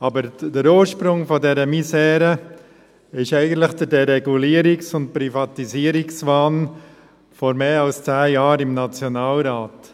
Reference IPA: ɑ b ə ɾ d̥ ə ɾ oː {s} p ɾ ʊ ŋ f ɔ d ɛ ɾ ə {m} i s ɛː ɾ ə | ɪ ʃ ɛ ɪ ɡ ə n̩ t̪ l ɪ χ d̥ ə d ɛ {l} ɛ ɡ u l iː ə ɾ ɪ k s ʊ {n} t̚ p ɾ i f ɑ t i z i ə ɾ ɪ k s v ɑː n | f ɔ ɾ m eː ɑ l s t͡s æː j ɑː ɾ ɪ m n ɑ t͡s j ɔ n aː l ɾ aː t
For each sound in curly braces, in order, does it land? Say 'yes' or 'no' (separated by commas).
no, yes, no, yes